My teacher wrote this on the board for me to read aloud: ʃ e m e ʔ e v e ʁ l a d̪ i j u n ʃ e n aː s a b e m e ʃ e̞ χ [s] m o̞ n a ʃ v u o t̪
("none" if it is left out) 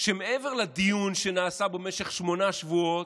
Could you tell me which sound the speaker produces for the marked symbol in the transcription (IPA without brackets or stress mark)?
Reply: ʃ